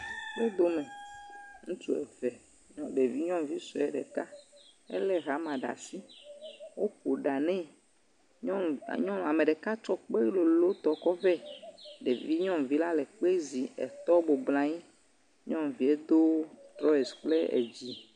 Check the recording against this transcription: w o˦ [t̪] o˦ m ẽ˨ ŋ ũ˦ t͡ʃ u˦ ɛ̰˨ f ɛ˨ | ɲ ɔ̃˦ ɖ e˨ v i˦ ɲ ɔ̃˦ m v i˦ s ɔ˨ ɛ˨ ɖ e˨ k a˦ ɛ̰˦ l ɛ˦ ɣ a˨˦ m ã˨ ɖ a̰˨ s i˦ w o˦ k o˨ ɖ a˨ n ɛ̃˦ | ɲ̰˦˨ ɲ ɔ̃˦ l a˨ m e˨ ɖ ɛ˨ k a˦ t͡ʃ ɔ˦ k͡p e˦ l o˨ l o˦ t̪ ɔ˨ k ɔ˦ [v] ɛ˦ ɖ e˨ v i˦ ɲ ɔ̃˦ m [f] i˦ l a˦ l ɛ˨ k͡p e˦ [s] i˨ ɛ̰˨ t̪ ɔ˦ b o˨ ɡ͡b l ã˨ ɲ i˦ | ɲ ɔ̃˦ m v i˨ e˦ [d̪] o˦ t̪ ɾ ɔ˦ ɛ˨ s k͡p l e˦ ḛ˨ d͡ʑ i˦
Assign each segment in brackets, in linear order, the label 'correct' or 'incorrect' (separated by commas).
incorrect, correct, incorrect, incorrect, correct